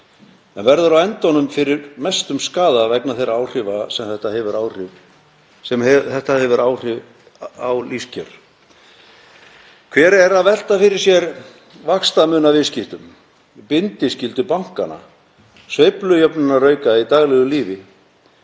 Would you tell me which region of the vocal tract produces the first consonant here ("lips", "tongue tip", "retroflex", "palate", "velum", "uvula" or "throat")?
tongue tip